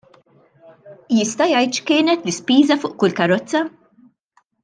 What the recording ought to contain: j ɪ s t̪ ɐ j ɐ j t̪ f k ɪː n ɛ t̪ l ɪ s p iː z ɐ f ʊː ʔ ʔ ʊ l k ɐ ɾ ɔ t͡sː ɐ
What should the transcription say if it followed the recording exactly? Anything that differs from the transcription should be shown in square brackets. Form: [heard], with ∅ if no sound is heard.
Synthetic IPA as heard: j ɪ s t̪ ɐ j ɐ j t̪ [ʃ] k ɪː n ɛ t̪ l ɪ s p iː z ɐ f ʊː ʔ [k] ʊ l k ɐ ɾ ɔ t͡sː ɐ